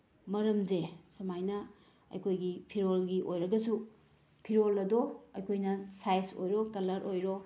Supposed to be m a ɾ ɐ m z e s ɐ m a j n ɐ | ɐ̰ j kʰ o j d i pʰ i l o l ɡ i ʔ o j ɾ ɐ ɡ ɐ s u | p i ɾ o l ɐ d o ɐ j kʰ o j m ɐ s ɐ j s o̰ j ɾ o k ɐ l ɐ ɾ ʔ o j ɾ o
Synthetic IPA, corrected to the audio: m ɐ ɾ ɐ m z e s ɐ m a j n ɐ | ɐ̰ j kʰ o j ɡ i pʰ i ɾ o l ɡ i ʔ o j ɾ ɐ ɡ ɐ s u | pʰ i ɾ o l ɐ d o ɐ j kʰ o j n ɐ s a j s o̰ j ɾ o k ɐ l ɐ ɾ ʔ o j ɾ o